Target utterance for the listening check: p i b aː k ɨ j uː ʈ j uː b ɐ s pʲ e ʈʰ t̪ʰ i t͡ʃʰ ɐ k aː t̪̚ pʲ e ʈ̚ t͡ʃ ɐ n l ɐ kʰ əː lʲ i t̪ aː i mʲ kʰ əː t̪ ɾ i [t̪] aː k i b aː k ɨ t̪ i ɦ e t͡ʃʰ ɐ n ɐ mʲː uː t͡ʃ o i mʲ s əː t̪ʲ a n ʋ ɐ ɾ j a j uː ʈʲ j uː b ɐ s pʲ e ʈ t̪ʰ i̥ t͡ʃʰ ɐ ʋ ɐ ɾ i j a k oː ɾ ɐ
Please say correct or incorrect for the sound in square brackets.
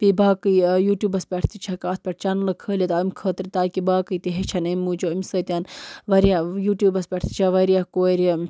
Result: correct